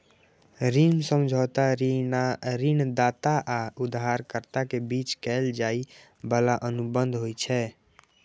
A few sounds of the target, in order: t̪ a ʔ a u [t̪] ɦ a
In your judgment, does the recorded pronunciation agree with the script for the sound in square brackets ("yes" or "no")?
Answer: no